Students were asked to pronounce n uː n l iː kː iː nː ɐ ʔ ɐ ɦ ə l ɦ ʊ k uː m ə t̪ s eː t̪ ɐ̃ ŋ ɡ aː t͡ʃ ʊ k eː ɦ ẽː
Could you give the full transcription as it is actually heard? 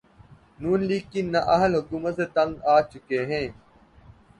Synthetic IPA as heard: n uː n l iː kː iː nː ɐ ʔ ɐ ɦ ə l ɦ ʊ k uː m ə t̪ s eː t̪ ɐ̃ ŋ ɡ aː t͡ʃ ʊ k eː ɦ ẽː